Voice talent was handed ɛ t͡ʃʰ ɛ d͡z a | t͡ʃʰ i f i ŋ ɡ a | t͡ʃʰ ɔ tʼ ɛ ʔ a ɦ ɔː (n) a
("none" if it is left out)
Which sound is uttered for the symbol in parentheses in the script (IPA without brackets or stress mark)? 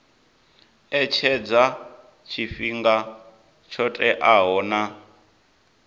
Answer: n